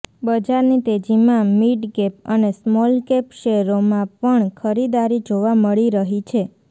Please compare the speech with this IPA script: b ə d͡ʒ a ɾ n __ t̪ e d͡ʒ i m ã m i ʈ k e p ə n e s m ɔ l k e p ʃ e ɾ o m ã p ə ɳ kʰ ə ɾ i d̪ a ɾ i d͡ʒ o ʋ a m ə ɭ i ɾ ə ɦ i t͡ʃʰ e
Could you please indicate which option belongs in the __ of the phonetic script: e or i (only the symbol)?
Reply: i